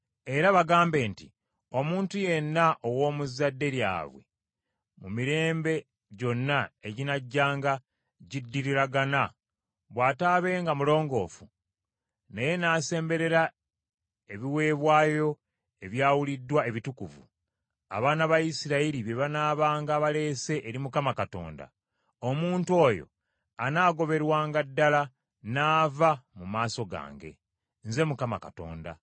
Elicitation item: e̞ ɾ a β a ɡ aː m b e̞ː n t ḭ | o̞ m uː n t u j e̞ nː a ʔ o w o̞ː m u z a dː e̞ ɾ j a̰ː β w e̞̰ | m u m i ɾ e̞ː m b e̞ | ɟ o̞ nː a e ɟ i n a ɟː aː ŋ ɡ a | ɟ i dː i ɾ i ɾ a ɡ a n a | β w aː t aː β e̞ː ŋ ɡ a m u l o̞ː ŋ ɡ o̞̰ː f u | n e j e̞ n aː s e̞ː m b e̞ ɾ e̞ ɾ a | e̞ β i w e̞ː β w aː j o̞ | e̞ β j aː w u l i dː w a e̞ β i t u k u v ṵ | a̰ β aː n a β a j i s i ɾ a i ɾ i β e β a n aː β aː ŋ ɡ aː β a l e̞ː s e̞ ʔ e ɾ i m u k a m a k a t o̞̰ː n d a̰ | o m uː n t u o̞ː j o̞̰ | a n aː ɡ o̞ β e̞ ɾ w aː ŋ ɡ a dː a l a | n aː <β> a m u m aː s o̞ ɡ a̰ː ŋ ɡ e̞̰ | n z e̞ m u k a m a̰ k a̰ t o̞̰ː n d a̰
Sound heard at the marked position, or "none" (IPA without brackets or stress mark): v